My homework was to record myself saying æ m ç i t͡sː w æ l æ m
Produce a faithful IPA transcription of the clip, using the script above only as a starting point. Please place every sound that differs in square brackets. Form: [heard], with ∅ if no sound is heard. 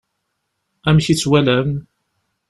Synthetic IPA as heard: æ m ç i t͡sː w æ l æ m

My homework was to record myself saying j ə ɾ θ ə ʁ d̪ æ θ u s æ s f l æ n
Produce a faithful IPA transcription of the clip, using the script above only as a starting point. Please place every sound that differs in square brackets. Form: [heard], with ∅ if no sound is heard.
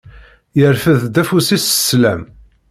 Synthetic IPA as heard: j ə ɾ [f] ə [ð] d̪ æ [f] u s [i] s [s] l æ [m]

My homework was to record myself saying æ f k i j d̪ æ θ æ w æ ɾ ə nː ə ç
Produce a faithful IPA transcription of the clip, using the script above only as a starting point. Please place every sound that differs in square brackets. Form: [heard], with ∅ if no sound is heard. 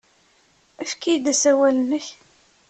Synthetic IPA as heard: æ f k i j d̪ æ [s] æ w æ [l] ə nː ə ç

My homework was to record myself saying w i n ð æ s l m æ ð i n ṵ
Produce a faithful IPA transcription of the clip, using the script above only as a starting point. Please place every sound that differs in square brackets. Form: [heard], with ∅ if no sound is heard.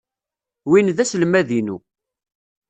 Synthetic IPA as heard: w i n ð æ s l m æ ð i n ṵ

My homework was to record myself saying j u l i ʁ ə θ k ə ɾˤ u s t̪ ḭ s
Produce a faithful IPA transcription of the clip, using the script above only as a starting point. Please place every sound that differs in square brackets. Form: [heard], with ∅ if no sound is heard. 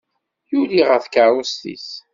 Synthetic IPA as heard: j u l i ʁ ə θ k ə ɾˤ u s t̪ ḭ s

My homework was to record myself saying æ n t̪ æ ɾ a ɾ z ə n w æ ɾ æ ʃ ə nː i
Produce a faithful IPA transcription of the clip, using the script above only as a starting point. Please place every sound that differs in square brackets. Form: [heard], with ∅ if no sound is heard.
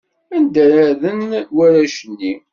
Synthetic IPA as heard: æ n [d̪] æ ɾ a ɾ [ð] ə n w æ ɾ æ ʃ ə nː i

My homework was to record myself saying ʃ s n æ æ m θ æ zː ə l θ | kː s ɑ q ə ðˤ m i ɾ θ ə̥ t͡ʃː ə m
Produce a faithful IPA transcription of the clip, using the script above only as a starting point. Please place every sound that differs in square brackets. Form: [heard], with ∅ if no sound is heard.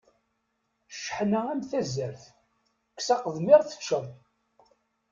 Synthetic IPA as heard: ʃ [ħ] n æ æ m θ æ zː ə [ɾ] θ | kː s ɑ q ə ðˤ m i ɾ θ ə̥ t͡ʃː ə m

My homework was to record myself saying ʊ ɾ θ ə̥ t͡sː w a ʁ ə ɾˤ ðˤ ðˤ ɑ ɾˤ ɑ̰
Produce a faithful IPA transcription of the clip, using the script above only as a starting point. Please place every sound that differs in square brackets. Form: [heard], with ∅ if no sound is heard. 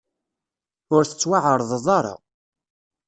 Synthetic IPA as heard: ʊ ɾ θ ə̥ t͡sː w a [ʕ] ə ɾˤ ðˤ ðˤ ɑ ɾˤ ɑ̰

